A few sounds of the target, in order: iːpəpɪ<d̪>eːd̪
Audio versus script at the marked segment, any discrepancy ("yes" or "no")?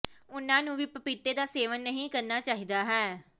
yes